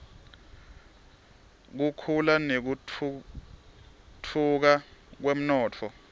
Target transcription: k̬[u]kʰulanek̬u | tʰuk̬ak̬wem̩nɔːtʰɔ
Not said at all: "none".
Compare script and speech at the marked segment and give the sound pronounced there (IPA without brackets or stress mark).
u